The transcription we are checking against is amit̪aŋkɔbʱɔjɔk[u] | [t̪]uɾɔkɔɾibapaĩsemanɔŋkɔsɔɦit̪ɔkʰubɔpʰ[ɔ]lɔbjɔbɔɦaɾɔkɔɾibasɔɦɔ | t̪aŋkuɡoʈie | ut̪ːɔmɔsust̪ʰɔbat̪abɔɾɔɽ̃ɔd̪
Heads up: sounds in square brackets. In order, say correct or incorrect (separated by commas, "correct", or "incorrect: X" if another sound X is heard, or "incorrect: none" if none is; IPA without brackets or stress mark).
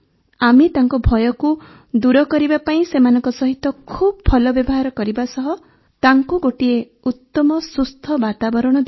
correct, incorrect: d̪, correct